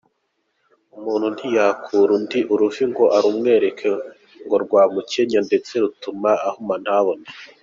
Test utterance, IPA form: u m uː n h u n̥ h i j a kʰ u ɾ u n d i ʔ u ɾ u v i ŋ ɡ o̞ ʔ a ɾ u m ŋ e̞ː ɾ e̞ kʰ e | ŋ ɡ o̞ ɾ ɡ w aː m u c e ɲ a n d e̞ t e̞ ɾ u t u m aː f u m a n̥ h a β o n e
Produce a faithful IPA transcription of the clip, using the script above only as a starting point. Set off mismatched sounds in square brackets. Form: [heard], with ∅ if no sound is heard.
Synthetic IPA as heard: u m uː n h u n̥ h i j a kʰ u ɾ u n d i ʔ u ɾ u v i ŋ ɡ o̞ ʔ a ɾ u m ŋ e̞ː ɾ e̞ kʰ e | ŋ ɡ o̞ ɾ ɡ w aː m u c e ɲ a n d e̞ [t͡s] e̞ ɾ u t u m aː [h] u m a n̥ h a β o n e